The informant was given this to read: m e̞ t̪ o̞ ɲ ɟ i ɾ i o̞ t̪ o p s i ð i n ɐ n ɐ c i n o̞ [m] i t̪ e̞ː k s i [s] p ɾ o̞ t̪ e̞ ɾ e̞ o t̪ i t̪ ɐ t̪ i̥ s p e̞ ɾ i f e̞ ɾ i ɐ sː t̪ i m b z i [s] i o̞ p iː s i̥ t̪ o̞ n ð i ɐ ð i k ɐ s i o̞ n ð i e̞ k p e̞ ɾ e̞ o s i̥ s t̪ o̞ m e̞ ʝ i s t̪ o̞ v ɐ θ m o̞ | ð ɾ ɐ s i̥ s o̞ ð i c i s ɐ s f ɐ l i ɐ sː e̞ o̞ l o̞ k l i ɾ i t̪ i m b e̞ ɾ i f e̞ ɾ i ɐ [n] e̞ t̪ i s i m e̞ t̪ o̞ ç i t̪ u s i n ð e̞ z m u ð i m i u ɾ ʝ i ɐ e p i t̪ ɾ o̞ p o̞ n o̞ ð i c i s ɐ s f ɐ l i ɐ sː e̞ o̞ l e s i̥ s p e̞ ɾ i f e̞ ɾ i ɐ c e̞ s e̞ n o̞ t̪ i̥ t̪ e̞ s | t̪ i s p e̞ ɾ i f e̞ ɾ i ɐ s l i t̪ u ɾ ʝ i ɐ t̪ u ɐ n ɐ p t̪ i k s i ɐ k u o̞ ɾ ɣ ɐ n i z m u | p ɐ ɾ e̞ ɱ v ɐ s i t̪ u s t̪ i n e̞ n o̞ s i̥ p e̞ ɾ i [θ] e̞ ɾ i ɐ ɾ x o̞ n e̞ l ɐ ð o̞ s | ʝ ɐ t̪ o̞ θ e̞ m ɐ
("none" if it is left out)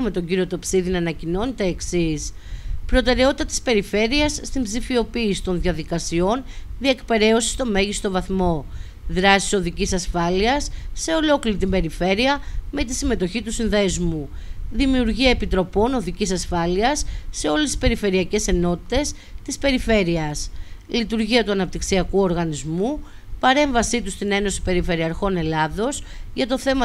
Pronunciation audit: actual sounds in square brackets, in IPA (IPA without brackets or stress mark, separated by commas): n, s, f, m, f